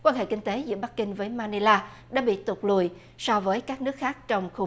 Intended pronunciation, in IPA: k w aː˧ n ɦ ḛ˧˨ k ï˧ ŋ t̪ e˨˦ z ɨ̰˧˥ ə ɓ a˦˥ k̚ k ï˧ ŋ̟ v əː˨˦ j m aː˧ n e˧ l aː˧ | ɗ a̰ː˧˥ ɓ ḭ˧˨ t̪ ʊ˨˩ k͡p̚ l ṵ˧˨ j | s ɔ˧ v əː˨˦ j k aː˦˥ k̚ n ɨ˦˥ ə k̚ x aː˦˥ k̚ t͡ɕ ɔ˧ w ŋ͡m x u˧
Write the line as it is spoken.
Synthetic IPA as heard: k w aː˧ n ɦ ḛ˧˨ k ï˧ ŋ t̪ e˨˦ z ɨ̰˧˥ ə ɓ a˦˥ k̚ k ï˧ ŋ̟ v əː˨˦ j m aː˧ n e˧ l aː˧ | ɗ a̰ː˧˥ ɓ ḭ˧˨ t̪ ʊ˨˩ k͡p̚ l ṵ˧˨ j | s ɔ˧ v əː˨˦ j k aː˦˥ k̚ n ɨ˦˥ ə k̚ x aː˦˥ k̚ t͡ɕ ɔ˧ w ŋ͡m x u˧